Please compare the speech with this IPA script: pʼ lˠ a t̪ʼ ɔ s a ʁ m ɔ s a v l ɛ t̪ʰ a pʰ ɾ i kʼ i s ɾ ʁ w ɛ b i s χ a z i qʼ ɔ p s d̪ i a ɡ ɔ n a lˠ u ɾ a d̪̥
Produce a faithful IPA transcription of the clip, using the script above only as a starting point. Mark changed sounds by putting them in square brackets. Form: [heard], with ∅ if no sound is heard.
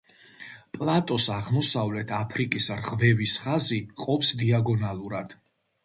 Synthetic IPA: pʼ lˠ a t̪ʼ ɔ s a ʁ m ɔ s a v l ɛ t̪ʰ a pʰ ɾ i kʼ i s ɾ ʁ [v] ɛ [v] i s χ a z i qʼ ɔ p s d̪ i a ɡ ɔ n a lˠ u ɾ a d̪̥

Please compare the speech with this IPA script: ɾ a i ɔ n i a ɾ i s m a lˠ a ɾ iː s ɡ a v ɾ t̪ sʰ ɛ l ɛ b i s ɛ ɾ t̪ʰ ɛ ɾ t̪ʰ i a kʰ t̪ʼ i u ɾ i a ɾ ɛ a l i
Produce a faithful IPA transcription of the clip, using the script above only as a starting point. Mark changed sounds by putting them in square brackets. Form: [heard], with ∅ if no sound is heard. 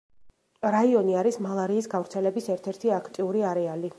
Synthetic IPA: ɾ a i ɔ n i a ɾ i s m a lˠ a ɾ iː s ɡ a v ɾ t̪ sʰ ɛ l ɛ b i s ɛ ɾ t̪ʰ ɛ ɾ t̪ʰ i a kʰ t̪ʼ i u ɾ i a ɾ ɛ a l i

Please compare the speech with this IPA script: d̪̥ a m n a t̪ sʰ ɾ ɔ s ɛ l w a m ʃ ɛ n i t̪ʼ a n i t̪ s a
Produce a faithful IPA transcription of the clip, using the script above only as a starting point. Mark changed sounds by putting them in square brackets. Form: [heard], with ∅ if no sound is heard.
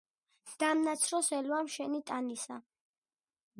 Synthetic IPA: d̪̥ a m n a t̪ sʰ ɾ ɔ s ɛ l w a m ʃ ɛ n i t̪ʼ a n i [∅] s a

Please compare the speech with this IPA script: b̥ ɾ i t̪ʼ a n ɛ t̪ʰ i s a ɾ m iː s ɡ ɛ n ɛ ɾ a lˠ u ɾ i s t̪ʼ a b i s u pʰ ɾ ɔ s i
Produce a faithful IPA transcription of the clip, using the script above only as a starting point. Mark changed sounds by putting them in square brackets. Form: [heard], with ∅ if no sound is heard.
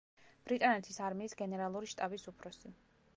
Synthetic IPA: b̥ ɾ i t̪ʼ a n ɛ t̪ʰ i s a ɾ m iː s ɡ ɛ n ɛ ɾ a lˠ u ɾ i [ʃ] t̪ʼ a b i s u pʰ ɾ ɔ s i

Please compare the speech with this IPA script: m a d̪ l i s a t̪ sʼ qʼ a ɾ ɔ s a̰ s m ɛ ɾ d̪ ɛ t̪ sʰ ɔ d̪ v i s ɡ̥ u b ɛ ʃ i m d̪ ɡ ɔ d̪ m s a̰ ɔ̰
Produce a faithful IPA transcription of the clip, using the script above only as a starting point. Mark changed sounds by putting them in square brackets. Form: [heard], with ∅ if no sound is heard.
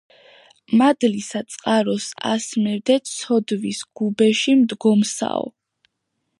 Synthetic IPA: m a d̪ l i s a t̪ sʼ qʼ a ɾ ɔ s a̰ s m ɛ ɾ d̪ ɛ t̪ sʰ ɔ d̪ v i s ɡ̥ u b ɛ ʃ i m d̪ ɡ ɔ [∅] m s a̰ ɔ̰

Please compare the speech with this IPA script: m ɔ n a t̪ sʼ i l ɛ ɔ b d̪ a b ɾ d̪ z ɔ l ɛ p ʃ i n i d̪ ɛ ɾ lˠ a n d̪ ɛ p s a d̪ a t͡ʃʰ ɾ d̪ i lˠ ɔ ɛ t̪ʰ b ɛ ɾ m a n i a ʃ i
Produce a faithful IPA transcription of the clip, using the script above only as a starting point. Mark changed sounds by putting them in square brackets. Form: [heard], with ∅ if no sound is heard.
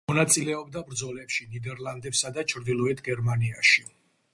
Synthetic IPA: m ɔ n a t̪ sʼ i l ɛ ɔ b d̪ a b ɾ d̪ z ɔ l ɛ p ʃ i n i d̪ ɛ ɾ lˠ a n d̪ ɛ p s a d̪ a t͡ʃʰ ɾ d̪ i lˠ ɔ ɛ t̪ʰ [ɡ] ɛ ɾ m a n i a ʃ i

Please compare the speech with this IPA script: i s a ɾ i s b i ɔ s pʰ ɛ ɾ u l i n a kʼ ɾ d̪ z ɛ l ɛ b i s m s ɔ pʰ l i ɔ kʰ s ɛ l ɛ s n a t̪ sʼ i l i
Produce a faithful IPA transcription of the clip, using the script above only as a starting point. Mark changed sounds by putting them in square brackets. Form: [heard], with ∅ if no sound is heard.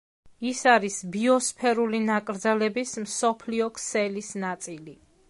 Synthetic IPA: i s a ɾ i s b i ɔ s pʰ ɛ ɾ u l i n a kʼ ɾ d̪ z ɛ l ɛ b i s m s ɔ pʰ l i ɔ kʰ s ɛ l [i] s n a t̪ sʼ i l i

